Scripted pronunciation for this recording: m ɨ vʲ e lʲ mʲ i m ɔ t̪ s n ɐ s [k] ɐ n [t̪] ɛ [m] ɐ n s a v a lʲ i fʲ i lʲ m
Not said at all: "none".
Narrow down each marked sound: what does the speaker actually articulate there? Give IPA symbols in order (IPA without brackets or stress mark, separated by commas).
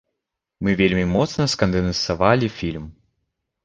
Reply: k, d̪, n